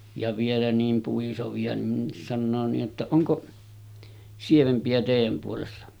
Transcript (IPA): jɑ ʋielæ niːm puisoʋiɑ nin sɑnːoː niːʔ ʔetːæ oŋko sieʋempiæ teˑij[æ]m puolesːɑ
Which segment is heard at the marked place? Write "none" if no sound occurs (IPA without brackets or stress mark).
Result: æ